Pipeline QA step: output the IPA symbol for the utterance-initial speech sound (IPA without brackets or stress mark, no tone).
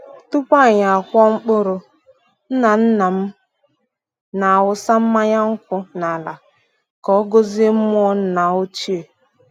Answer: t